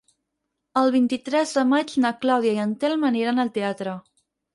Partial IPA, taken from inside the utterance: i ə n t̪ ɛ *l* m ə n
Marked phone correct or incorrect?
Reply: correct